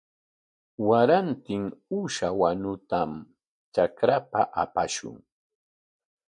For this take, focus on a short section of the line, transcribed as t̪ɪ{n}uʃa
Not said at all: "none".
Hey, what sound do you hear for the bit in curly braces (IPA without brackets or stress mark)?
ŋ